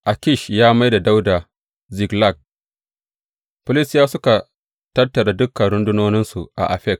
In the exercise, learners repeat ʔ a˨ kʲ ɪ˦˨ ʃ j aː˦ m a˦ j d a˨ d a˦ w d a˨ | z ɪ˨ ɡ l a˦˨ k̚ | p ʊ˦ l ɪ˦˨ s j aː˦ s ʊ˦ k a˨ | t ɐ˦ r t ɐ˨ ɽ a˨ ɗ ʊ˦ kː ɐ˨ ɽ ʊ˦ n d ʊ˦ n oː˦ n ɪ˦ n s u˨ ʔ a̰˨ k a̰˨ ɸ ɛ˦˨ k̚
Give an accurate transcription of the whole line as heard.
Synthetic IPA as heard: ʔ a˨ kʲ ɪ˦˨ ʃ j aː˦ m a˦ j d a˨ d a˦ w d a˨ | z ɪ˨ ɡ l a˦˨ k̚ | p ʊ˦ l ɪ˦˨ s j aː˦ s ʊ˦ k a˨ | t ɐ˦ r t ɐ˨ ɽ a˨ d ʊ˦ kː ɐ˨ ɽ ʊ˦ n d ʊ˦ n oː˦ n ɪ˦ n s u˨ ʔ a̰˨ ʔ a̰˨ ɸ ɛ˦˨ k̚

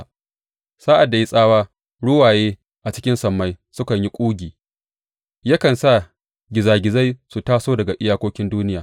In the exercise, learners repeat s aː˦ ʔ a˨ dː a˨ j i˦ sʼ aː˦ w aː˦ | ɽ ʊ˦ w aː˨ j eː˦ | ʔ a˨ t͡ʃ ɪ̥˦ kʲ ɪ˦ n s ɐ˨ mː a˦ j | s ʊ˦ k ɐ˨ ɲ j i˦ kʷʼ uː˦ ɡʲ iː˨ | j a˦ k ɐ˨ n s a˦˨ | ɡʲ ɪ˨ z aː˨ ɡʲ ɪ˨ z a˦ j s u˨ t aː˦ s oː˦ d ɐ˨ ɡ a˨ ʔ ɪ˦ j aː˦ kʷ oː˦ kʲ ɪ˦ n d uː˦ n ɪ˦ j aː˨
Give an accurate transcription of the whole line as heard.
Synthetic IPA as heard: s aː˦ ʔ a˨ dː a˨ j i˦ sʼ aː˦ w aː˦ | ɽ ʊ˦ w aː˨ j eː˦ | ʔ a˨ t͡ʃ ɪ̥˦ kʲ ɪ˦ n s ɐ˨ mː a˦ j | s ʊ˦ k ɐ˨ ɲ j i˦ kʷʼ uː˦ ɡʲ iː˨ | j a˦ k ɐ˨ n s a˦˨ | ɡʲ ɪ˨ z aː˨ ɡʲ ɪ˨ z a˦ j s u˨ t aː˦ s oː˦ d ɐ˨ ɡ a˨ ʔ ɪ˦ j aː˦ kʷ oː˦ kʲ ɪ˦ n d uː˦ n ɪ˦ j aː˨

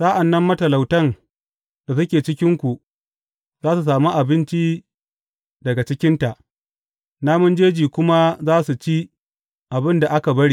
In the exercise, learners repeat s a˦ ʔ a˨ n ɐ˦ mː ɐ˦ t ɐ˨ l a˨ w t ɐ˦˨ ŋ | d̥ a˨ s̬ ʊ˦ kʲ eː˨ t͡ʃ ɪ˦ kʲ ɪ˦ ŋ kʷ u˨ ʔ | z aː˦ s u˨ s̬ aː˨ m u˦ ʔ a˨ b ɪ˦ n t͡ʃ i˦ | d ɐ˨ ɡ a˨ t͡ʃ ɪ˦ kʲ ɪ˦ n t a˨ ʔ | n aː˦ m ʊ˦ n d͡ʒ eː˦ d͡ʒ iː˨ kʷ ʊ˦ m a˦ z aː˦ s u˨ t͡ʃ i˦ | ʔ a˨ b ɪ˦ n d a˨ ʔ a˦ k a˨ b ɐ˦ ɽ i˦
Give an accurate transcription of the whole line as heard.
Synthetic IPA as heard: s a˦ ʔ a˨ nː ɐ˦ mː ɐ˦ t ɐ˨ l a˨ w t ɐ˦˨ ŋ | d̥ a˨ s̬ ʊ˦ kʲ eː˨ t͡ʃ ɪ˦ kʲ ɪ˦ ŋ kʷ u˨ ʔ | z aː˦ s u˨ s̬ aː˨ m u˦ ʔ a˨ b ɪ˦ n t͡ʃ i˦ | d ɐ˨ ɡ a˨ t͡ʃ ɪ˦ kʲ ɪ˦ n t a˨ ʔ | n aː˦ m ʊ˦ n d͡ʒ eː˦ d͡ʒ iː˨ kʷ ʊ˦ m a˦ z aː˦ s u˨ t͡ʃ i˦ | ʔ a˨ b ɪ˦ n d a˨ ʔ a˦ k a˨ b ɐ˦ ɽ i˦

